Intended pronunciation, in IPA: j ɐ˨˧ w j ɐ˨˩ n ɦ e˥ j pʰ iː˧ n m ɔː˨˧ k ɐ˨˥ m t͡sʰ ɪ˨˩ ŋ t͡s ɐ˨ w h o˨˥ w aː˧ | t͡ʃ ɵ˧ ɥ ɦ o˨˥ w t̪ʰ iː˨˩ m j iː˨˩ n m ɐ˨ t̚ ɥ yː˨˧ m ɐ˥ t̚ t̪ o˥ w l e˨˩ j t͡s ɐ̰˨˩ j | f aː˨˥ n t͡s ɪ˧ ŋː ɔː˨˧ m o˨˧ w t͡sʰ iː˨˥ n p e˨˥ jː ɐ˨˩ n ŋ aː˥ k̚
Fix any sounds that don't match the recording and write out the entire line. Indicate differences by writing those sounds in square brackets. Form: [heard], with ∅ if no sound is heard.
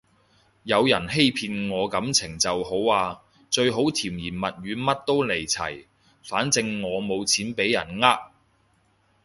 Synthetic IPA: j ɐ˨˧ w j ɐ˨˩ n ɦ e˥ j pʰ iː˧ n [ŋ] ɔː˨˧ k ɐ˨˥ m t͡sʰ ɪ˨˩ ŋ t͡s ɐ˨ w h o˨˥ w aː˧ | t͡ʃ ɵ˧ ɥ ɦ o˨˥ w t̪ʰ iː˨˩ m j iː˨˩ n m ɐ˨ t̚ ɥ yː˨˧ m ɐ˥ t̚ t̪ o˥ w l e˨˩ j [t͡sʰ] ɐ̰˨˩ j | f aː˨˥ n t͡s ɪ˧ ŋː ɔː˨˧ m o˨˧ w t͡sʰ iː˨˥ n p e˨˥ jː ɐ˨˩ n ŋ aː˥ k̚